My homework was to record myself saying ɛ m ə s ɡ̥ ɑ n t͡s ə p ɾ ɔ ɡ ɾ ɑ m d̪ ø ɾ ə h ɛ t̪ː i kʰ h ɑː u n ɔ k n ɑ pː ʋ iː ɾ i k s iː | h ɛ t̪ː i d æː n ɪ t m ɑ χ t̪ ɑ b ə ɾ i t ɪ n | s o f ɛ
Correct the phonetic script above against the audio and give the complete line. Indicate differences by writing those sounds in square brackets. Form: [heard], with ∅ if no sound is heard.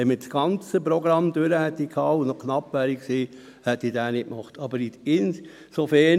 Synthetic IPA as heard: ɛ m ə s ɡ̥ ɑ n t͡s ə p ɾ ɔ ɡ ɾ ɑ m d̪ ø ɾ ə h ɛ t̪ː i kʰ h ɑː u n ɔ k n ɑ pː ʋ [æː] ɾ i k s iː | h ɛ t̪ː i d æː n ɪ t m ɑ χ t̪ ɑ b ə ɾ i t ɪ n | s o f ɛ

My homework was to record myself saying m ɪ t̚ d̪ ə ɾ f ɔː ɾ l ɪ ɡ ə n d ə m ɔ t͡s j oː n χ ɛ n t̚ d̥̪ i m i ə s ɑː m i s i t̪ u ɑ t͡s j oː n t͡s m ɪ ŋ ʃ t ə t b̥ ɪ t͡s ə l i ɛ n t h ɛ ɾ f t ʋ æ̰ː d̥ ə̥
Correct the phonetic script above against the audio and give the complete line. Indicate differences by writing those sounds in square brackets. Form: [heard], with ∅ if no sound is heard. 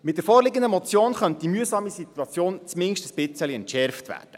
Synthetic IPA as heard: m ɪ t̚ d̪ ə ɾ f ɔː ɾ l ɪ ɡ ə n d ə m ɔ t͡s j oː n χ [œ] n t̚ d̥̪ i m [y] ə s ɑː m i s i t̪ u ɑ t͡s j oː n t͡s m ɪ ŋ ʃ t ə [s] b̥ ɪ t͡s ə l i ɛ n t [ʃ] ɛ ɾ f t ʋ æ̰ː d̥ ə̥

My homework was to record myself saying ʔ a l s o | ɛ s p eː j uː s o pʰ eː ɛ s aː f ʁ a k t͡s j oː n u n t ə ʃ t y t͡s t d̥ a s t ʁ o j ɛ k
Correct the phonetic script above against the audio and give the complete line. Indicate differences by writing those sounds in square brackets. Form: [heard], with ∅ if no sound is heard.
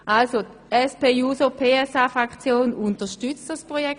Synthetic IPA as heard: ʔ a l s o | ɛ s p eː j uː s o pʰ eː ɛ s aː f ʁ a k t͡s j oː n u n t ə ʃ t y t͡s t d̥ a s [p] ʁ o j ɛ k

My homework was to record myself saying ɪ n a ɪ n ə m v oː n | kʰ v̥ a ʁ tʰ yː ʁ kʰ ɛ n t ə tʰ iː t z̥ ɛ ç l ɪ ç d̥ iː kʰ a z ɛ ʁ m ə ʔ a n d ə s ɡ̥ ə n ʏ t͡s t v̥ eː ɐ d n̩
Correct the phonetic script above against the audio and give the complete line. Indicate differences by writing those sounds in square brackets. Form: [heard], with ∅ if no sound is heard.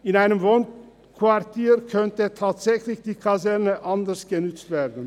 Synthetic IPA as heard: ɪ n a ɪ n ə m v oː n | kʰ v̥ a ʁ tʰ [iː] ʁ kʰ [œ] n t ə tʰ [aː] t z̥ ɛ ç l ɪ ç d̥ iː kʰ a z ɛ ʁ [n] ə ʔ a n d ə s ɡ̥ ə n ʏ t͡s t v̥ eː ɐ d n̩

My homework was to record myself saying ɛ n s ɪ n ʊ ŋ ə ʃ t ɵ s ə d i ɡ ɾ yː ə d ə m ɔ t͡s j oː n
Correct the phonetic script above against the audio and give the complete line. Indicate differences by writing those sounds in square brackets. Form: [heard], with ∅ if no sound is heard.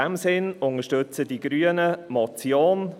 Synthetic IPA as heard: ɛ [m] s ɪ n ʊ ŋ ə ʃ t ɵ [t͡s] ə d i ɡ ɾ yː ə [n] ə m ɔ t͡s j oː n

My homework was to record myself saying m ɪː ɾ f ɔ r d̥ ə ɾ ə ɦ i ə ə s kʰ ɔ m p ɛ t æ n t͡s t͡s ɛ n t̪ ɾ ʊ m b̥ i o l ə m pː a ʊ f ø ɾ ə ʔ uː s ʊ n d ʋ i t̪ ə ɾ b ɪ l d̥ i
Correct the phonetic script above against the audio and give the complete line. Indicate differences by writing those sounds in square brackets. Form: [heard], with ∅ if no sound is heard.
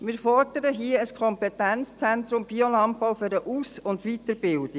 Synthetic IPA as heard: m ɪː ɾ f ɔ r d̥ ə ɾ ə ɦ i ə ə s kʰ ɔ m p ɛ t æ n t͡s t͡s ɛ n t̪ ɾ ʊ m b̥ i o l [ɑ] m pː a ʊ f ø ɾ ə ʔ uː s ʊ n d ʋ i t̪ ə ɾ b ɪ l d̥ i

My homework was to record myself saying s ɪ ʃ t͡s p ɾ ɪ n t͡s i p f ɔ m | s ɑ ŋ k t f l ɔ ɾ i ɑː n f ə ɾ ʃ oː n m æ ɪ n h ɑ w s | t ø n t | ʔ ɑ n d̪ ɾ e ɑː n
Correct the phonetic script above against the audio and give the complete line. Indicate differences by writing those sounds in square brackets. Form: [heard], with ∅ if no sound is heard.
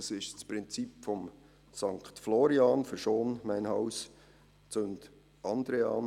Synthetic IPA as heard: s ɪ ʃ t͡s p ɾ ɪ n t͡s i p f ɔ m | s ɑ ŋ k t f l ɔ ɾ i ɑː n f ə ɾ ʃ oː n m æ ɪ n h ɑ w s | [t͡s] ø n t | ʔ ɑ n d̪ ɾ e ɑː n

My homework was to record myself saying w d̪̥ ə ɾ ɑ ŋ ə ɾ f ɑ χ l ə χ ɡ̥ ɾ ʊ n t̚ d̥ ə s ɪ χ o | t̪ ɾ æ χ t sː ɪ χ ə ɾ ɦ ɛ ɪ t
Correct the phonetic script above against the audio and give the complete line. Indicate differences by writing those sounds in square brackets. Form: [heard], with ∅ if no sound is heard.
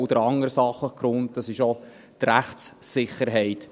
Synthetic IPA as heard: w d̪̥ ə ɾ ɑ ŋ ə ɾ [s] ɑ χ l ə χ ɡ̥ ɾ ʊ n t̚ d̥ [ɑ] s ɪ [ʃ] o | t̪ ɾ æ χ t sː ɪ χ ə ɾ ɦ ɛ ɪ t

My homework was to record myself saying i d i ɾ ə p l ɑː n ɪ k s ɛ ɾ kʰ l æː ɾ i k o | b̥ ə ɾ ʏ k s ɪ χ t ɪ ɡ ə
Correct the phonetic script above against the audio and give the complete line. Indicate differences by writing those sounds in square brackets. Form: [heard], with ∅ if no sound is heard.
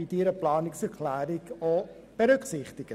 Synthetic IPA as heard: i d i ɾ ə p l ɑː n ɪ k s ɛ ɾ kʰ l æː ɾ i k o | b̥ ə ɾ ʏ k s ɪ χ t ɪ ɡ ə

